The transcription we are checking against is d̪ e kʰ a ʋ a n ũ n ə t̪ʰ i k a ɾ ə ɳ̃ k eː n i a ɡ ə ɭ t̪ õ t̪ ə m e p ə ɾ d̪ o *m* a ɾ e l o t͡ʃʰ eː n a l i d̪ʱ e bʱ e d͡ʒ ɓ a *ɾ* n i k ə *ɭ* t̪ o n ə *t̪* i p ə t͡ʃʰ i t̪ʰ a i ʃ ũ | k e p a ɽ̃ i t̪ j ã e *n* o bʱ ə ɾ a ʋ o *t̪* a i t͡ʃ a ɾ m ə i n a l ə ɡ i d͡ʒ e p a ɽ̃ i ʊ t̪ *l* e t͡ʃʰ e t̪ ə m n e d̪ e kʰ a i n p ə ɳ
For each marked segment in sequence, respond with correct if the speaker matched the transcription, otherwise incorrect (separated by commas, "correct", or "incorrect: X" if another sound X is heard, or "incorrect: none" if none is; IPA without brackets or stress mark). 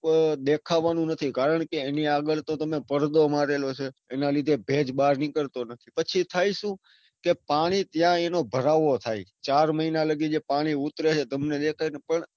correct, correct, incorrect: ɾ, incorrect: t̪ʰ, correct, incorrect: t̪ʰ, incorrect: ɾ